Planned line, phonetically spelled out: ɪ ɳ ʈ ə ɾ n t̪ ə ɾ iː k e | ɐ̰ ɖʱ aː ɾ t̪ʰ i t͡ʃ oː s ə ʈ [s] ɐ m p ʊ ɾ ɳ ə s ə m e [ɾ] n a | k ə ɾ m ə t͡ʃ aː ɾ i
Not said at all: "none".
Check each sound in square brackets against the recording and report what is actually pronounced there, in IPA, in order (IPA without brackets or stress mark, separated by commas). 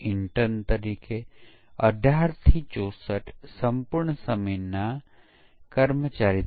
s, none